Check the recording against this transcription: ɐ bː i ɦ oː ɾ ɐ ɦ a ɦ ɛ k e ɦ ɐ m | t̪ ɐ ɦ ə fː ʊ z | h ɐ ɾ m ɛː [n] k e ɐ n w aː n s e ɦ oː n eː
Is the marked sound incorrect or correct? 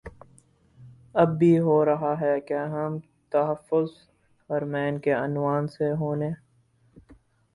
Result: correct